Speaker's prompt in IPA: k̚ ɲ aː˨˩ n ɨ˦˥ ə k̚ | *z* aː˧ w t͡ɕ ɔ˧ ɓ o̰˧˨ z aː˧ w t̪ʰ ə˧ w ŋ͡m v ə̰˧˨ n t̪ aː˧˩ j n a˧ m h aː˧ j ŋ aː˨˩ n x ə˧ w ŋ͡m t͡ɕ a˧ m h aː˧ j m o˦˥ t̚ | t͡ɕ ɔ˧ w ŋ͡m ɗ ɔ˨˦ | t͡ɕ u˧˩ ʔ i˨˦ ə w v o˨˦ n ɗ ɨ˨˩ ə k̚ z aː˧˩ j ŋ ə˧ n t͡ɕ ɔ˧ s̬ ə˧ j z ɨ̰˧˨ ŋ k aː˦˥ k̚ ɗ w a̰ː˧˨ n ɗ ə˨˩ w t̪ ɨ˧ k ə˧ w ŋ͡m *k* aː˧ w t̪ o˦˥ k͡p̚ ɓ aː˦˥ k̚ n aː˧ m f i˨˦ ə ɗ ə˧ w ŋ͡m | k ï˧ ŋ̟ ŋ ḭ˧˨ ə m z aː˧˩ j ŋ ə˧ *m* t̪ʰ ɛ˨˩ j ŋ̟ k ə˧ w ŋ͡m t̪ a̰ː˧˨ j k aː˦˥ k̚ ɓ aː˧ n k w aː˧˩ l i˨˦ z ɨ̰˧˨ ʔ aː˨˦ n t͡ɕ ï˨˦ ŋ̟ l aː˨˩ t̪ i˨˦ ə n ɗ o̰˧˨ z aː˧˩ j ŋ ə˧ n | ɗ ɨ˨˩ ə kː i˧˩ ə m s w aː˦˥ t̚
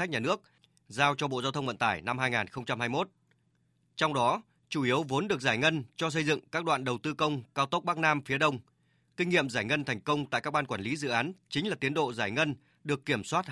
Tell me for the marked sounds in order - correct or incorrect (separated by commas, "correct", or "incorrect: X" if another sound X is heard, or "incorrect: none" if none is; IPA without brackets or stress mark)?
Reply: correct, correct, incorrect: n